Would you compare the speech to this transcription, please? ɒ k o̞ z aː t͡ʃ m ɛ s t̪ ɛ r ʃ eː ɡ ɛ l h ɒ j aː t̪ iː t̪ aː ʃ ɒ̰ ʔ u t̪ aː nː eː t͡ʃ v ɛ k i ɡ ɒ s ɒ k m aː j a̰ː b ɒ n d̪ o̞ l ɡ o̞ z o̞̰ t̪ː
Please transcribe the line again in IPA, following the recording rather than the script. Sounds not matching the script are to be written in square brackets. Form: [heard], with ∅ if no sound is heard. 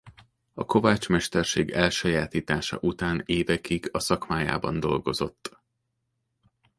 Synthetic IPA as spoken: ɒ k o̞ [v] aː t͡ʃ m ɛ [ʃ] t̪ ɛ r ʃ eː ɡ ɛ l [ʃ] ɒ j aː t̪ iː t̪ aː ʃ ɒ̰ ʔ u t̪ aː [n] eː [∅] v ɛ k i ɡ ɒ s ɒ k m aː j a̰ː b ɒ n d̪ o̞ l ɡ o̞ z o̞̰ t̪ː